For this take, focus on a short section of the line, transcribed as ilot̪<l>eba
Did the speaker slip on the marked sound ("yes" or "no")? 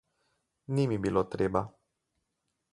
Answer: yes